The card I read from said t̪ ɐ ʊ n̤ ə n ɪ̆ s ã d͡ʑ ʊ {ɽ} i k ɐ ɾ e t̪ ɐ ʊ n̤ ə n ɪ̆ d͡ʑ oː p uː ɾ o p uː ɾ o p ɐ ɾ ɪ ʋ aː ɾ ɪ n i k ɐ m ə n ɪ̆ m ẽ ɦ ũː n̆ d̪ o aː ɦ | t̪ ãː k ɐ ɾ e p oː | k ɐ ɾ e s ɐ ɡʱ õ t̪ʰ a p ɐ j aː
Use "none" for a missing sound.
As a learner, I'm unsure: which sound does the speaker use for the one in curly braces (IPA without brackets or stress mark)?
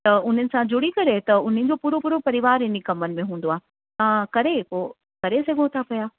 ɽ